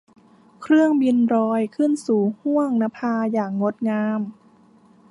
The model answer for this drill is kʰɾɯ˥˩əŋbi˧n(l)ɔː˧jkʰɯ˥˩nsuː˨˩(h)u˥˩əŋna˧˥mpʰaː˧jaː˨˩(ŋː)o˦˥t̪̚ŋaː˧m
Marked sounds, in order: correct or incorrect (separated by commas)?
incorrect, correct, correct